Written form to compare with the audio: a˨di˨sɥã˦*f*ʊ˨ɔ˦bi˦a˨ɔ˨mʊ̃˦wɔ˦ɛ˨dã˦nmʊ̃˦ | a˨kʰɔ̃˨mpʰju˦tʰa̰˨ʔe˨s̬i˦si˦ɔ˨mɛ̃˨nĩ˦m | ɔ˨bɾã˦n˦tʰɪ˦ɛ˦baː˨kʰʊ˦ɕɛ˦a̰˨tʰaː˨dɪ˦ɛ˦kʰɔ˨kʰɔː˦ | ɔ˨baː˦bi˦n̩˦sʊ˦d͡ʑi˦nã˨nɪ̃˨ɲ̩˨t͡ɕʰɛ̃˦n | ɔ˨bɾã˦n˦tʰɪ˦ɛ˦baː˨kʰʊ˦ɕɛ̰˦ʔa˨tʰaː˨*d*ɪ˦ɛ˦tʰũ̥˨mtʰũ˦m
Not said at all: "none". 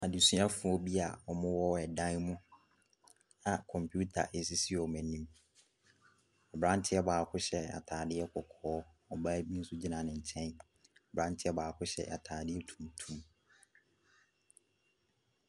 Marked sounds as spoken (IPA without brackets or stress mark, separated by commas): f, d